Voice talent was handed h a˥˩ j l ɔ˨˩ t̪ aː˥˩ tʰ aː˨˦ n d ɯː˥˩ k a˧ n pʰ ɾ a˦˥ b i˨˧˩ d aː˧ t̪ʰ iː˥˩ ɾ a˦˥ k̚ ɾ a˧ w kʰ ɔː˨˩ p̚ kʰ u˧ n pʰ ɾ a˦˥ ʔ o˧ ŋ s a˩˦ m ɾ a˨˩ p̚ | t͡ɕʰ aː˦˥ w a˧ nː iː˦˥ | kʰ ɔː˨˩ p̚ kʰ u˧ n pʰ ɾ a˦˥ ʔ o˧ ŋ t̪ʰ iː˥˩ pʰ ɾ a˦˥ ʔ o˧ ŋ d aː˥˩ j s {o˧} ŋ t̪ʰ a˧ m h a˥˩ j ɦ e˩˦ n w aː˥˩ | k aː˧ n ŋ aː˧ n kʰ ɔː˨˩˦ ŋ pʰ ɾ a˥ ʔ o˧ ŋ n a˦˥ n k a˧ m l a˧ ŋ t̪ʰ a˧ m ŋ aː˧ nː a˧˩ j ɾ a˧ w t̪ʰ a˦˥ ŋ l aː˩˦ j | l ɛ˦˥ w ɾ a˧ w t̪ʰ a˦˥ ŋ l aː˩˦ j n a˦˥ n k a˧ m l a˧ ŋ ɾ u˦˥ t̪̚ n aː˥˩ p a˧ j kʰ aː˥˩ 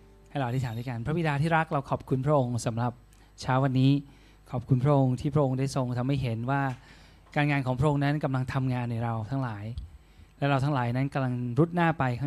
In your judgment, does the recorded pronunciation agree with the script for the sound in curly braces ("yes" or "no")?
yes